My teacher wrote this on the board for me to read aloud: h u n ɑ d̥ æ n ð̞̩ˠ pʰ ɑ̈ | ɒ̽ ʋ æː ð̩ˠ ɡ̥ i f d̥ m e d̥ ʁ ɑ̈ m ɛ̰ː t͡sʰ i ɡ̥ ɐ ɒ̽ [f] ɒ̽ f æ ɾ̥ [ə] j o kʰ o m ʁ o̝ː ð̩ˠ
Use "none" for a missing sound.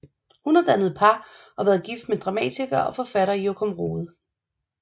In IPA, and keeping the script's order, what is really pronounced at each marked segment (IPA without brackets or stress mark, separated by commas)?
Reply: f, ɐ